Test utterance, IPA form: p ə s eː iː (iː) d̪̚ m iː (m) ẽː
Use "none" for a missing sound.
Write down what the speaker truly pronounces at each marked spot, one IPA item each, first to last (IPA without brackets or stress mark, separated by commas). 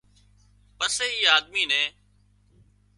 aː, n